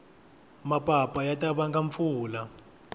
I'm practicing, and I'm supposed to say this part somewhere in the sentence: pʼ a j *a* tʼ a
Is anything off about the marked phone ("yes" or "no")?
no